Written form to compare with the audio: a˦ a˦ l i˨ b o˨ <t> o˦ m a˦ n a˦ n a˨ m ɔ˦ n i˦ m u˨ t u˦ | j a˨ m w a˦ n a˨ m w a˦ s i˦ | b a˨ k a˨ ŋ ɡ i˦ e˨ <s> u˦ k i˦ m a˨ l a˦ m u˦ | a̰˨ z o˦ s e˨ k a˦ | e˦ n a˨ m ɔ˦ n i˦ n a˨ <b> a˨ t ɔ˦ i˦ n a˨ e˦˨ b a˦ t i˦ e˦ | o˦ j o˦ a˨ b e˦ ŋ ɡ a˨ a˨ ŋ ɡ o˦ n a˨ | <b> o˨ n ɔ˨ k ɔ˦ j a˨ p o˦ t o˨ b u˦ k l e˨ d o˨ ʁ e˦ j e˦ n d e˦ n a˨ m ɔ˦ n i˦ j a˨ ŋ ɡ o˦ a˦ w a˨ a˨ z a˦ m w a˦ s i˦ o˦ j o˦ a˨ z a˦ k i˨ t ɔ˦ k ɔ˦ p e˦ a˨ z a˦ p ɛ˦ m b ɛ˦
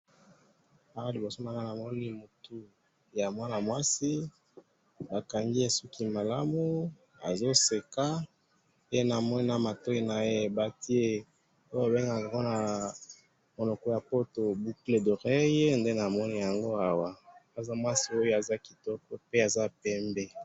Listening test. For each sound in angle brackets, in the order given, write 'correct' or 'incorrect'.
incorrect: s, correct, incorrect: m, incorrect: m

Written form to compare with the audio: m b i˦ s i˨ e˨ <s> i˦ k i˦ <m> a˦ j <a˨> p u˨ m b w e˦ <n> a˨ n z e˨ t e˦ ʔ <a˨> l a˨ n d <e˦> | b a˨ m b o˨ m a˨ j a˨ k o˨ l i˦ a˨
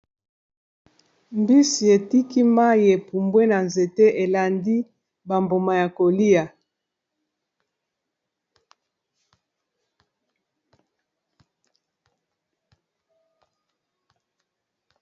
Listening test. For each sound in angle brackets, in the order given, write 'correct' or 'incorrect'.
incorrect: t, correct, incorrect: e˨, correct, incorrect: e˨, incorrect: i˦

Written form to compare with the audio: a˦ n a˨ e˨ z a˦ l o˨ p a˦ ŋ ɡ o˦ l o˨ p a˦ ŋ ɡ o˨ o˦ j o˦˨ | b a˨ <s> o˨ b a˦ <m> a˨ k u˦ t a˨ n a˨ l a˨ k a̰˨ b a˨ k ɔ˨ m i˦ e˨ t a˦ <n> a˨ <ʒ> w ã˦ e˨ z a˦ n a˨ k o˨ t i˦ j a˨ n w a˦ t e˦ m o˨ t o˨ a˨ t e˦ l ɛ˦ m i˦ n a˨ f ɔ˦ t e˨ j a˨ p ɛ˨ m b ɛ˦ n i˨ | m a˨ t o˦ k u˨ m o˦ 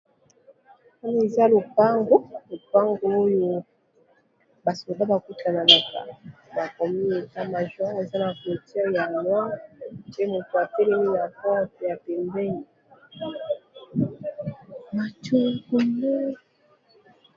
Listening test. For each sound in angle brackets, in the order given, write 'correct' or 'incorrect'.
correct, incorrect: b, incorrect: m, correct

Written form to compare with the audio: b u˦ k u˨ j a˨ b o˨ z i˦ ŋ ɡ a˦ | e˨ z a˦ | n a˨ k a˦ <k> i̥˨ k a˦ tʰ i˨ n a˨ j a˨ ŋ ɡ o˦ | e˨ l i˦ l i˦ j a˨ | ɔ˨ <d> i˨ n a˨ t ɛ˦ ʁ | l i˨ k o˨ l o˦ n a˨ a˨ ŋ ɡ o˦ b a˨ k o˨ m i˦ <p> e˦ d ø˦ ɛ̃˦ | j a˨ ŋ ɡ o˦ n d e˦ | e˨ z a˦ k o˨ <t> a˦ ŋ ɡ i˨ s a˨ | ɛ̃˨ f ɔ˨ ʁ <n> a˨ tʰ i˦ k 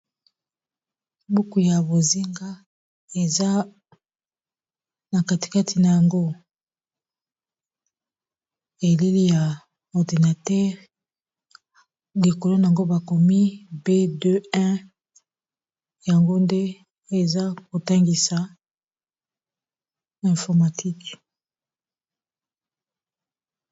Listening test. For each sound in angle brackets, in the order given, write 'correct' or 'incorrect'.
incorrect: t, correct, incorrect: b, correct, incorrect: m

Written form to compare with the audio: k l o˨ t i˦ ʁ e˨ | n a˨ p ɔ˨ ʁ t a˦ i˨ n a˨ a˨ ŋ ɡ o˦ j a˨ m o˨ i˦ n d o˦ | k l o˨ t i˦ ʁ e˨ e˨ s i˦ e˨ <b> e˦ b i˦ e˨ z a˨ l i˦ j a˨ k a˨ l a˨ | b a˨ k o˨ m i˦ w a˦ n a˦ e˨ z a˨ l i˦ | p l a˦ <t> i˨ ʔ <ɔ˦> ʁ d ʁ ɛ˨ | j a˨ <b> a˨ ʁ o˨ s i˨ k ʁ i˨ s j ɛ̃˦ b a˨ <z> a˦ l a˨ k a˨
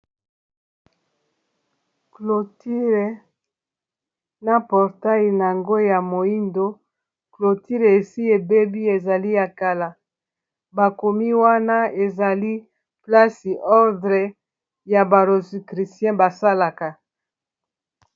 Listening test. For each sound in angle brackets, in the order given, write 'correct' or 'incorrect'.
correct, incorrect: s, correct, correct, incorrect: s

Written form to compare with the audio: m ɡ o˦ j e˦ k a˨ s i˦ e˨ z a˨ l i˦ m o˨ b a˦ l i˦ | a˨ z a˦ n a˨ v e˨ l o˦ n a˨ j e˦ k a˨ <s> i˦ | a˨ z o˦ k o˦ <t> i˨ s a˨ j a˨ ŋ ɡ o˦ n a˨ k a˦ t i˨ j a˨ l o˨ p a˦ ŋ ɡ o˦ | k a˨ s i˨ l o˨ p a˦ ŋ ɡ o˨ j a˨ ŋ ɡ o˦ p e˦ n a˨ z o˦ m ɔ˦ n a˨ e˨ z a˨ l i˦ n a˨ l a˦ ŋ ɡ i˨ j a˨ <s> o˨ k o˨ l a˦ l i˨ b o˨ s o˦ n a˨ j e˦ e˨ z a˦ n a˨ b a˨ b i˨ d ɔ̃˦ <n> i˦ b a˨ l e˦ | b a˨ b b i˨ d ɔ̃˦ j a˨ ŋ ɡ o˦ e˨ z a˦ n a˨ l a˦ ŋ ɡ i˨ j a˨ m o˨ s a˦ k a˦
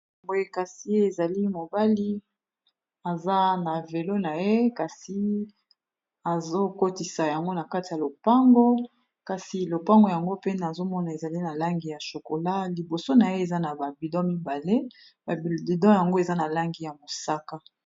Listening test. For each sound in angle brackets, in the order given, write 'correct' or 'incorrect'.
correct, correct, incorrect: ʃ, incorrect: m

